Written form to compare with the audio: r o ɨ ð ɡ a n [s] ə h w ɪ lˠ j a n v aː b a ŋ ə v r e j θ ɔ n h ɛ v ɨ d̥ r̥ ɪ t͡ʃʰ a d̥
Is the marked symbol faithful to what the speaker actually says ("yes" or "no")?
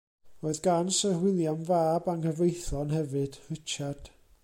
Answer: yes